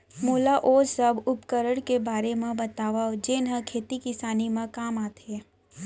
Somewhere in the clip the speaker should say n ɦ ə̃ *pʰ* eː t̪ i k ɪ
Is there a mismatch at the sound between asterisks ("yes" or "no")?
yes